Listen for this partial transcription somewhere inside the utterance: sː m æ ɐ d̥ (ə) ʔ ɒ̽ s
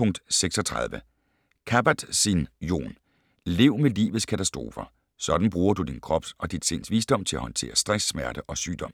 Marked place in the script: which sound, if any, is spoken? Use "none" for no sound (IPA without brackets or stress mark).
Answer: ə